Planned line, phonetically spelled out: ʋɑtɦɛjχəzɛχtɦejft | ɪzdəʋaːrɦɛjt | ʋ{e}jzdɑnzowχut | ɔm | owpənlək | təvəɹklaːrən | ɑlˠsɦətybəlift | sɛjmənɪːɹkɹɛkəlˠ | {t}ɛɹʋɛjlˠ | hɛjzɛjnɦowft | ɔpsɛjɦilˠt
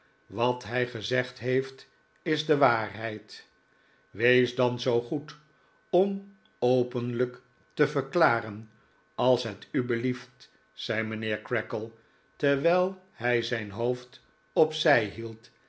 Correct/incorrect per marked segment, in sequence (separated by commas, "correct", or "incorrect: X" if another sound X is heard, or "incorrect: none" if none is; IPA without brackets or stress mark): correct, correct